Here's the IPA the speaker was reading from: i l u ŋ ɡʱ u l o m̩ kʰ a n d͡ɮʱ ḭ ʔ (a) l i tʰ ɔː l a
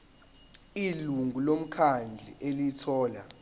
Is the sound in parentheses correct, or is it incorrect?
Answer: incorrect